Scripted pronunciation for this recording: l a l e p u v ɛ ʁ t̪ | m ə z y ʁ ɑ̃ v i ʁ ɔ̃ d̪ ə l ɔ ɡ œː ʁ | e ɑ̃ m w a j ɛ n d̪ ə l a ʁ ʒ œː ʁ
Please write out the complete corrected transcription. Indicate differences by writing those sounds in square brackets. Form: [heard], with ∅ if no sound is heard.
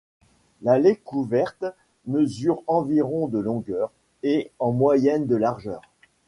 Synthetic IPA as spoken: l a l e [k] u v ɛ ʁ t̪ | m ə z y ʁ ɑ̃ v i ʁ ɔ̃ d̪ ə l [ɔ̃] ɡ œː ʁ | e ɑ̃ m w a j ɛ n d̪ ə l a ʁ ʒ œː ʁ